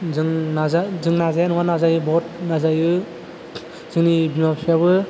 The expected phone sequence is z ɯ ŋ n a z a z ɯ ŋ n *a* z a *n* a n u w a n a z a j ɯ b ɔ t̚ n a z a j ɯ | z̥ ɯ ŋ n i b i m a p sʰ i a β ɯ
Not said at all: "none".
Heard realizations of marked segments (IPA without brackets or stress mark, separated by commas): a, none